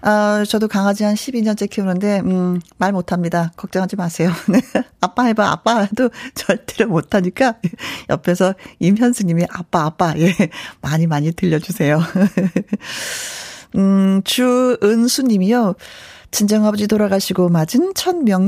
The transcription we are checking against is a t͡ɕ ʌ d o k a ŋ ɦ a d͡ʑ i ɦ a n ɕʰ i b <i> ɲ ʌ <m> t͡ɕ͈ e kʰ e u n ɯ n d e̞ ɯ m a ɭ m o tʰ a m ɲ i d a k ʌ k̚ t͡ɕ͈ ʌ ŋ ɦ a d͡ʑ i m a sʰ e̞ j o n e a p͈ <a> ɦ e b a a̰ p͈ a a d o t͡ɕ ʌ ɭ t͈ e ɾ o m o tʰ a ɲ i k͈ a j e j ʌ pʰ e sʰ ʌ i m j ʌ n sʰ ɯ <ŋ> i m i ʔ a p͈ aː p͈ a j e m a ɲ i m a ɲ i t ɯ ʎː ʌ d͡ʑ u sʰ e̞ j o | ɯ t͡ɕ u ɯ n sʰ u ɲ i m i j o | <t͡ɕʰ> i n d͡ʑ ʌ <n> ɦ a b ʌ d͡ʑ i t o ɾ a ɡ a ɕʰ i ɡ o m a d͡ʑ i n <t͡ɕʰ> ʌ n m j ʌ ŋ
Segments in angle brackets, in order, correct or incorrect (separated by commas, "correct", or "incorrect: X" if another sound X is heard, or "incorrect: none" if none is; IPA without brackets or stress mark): correct, incorrect: n, correct, incorrect: ɲ, incorrect: t͡ɕ, incorrect: ŋ, correct